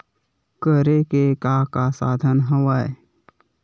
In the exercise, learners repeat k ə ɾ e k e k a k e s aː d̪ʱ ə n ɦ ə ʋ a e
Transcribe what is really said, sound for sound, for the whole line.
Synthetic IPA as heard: k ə ɾ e k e k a k a s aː d̪ʱ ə n ɦ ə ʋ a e